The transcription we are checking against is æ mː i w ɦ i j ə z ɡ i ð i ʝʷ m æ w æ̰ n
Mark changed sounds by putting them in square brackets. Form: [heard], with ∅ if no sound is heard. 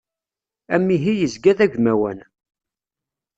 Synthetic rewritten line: æ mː i [∅] ɦ i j ə z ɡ [æ] ð [æ] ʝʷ m æ w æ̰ n